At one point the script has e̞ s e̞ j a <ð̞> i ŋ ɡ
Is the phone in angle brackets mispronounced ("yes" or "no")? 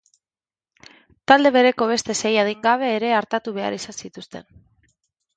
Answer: no